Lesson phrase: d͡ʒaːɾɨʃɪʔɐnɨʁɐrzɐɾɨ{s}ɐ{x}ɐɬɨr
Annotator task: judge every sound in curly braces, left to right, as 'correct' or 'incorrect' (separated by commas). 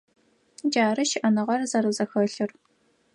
incorrect, correct